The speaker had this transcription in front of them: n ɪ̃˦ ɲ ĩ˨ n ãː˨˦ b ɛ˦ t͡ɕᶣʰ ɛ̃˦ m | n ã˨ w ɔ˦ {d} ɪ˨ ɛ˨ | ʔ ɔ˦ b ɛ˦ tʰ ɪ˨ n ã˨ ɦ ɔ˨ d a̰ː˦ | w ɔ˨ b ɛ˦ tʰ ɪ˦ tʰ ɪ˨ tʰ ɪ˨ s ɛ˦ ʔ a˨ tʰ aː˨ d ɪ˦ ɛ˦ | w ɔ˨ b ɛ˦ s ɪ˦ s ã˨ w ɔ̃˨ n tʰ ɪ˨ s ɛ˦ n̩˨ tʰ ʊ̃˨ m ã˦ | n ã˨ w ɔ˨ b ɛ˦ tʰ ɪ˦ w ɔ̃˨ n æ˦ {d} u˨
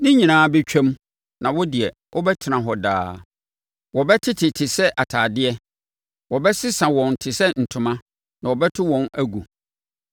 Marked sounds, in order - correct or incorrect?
correct, incorrect

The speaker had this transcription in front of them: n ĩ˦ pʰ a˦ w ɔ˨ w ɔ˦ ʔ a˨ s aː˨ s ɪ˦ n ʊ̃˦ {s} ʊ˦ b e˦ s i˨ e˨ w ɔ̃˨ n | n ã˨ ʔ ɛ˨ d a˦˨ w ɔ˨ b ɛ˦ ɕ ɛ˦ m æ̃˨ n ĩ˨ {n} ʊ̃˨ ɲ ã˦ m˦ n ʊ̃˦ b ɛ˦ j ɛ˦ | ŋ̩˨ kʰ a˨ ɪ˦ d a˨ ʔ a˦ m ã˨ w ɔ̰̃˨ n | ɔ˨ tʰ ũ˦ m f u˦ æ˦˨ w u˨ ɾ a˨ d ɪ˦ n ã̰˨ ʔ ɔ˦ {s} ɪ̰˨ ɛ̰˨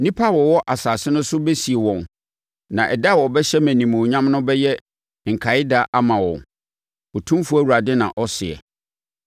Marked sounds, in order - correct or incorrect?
correct, incorrect, correct

